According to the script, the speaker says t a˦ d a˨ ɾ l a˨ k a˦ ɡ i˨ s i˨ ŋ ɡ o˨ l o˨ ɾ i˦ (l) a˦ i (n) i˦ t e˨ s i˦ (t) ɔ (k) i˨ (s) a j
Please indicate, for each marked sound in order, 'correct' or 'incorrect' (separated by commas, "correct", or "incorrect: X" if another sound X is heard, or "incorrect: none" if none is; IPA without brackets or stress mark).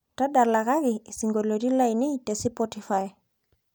correct, correct, incorrect: p, incorrect: t, incorrect: f